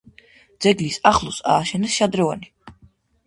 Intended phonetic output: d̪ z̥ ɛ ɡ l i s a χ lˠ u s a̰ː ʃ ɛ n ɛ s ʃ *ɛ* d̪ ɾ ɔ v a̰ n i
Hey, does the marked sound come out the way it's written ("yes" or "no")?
no